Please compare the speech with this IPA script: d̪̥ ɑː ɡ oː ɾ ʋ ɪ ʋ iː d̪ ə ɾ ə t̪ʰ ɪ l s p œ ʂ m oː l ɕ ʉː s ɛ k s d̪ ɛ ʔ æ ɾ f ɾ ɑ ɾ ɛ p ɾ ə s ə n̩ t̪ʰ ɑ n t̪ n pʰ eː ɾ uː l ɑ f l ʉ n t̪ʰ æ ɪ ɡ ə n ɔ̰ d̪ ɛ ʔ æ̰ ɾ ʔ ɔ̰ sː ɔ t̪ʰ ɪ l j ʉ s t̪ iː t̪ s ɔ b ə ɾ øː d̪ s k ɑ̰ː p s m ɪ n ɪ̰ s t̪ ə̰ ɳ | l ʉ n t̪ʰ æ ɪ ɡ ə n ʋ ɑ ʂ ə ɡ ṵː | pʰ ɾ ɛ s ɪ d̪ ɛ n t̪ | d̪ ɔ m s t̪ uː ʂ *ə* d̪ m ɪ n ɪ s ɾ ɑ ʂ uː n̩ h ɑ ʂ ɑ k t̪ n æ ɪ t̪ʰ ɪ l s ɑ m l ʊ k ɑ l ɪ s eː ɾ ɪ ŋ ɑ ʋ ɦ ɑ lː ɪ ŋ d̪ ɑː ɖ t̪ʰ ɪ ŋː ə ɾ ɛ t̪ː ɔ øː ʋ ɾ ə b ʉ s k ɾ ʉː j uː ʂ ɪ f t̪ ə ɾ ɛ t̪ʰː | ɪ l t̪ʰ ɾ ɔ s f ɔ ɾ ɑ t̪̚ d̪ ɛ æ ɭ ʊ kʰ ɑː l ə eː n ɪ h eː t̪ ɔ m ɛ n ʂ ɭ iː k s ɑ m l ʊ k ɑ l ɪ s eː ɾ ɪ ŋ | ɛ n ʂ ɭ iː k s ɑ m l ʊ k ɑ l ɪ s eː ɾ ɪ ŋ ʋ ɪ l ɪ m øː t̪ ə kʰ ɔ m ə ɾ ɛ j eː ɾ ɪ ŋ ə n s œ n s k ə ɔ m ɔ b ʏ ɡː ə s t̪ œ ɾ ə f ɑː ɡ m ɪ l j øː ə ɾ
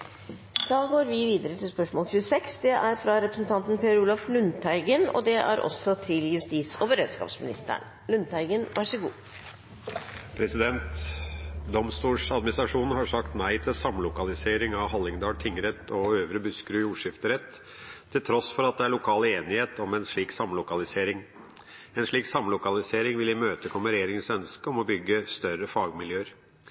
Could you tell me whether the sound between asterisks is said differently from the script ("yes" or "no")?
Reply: yes